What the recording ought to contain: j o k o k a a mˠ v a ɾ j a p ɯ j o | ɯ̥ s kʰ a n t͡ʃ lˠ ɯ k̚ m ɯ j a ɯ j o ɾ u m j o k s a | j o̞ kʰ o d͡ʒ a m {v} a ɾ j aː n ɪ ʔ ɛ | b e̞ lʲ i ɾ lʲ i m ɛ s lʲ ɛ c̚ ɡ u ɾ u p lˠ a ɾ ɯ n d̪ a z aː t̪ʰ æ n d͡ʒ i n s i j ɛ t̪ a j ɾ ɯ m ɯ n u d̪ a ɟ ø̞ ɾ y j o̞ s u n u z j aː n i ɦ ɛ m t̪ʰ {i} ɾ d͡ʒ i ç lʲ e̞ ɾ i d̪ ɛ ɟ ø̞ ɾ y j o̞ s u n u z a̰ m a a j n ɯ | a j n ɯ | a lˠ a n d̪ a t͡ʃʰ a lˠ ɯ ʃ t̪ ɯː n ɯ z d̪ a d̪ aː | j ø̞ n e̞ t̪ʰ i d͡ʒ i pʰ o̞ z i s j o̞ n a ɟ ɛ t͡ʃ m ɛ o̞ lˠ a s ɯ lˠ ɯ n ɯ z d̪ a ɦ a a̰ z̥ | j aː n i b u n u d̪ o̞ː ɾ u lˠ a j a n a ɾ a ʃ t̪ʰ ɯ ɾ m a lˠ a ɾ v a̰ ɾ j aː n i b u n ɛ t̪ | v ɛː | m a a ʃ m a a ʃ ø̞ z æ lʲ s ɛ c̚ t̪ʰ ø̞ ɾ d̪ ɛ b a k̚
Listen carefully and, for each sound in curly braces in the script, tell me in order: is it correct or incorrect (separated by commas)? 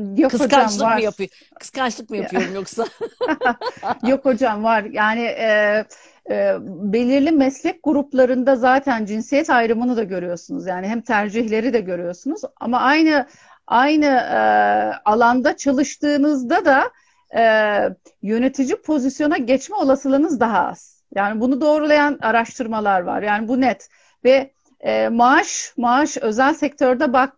correct, incorrect